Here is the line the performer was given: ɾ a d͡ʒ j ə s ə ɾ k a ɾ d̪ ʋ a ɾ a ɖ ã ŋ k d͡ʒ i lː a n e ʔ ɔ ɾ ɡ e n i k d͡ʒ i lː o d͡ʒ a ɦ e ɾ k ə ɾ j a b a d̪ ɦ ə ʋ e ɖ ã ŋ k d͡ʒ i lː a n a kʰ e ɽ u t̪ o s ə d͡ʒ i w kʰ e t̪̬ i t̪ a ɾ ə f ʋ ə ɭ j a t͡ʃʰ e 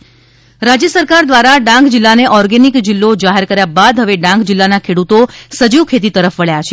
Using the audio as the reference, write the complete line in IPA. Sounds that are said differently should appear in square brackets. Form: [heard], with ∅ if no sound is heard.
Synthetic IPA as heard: ɾ a d͡ʒ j ə s ə ɾ k a ɾ d̪ ʋ a ɾ a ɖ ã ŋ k d͡ʒ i lː a n e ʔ ɔ ɾ ɡ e n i k d͡ʒ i lː o d͡ʒ a ɦ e ɾ k ə ɾ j a b a d̪ ɦ ə ʋ e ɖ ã ŋ k d͡ʒ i lː a n a kʰ e ɽ u t̪ o s ə d͡ʒ i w kʰ e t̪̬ i t̪ [ə] ɾ ə f ʋ ə ɭ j a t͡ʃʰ e

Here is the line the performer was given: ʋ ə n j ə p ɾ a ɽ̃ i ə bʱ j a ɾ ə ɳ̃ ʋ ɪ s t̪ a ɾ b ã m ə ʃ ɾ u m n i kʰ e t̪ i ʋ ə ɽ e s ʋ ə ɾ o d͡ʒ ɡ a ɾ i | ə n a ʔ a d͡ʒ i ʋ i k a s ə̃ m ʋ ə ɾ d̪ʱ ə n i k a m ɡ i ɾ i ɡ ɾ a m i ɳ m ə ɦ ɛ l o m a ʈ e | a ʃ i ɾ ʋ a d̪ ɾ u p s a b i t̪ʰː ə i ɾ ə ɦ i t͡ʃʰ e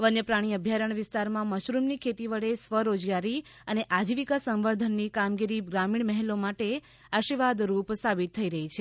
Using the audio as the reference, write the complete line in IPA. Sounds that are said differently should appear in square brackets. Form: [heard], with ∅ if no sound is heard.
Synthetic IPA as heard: ʋ ə n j ə p ɾ a ɽ̃ i ə bʱ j a ɾ ə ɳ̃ ʋ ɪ s t̪ a ɾ [m] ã m ə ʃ ɾ u m n i kʰ e t̪ i ʋ ə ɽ e s ʋ ə ɾ o d͡ʒ ɡ a ɾ i | ə n [e] ʔ a d͡ʒ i ʋ i k a s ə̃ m ʋ ə ɾ d̪ʱ ə [nː] i k a m ɡ i ɾ i ɡ ɾ a m i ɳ m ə ɦ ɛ l o m a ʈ e | a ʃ i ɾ ʋ a d̪ ɾ u p s a b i t̪ʰː ə i ɾ ə ɦ i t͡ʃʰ e

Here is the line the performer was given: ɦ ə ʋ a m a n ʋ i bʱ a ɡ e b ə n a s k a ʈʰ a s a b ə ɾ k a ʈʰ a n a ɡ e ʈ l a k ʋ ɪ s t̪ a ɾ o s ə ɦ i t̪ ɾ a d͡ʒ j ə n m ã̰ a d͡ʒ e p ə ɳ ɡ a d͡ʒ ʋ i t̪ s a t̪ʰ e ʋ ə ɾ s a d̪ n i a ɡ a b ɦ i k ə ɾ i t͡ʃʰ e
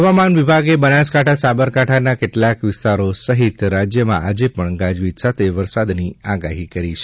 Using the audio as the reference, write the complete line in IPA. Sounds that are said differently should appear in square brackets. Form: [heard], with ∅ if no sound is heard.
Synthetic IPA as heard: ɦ ə ʋ a m a n ʋ i bʱ a ɡ e b ə n a s k a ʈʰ a s a b ə ɾ k a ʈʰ a n a [k] e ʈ l a k ʋ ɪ s t̪ a ɾ o s ə ɦ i t̪ ɾ a d͡ʒ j ə [∅] m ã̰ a d͡ʒ e p ə ɳ ɡ a d͡ʒ ʋ i t̪ s a t̪ʰ e ʋ ə ɾ s a d̪ n i a ɡ a [∅] ɦ i k ə ɾ i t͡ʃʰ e

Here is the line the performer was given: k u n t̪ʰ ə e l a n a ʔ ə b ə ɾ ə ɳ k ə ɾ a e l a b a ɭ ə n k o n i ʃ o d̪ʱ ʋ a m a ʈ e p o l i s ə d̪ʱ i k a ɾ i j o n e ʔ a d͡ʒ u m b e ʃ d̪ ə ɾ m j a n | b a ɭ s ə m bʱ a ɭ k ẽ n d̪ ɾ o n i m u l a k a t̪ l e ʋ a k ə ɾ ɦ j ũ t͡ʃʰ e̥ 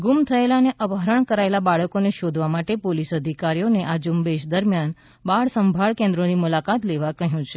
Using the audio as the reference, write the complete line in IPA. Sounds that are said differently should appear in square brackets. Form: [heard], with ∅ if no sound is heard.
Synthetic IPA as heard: [ɡ] u [m] t̪ʰ ə e l a n [e] ʔ ə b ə ɾ ə ɳ k ə ɾ a e l a b a ɭ ə [∅] k o n [e] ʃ o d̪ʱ ʋ a m a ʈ e p o l i s ə d̪ʱ i k a ɾ i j o n e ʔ a d͡ʒ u m b e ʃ d̪ ə ɾ m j a n | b a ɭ s ə m bʱ a ɭ k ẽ n d̪ ɾ o n i m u l a k a t̪ l e ʋ a k ə [∅] ɦ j ũ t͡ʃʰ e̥

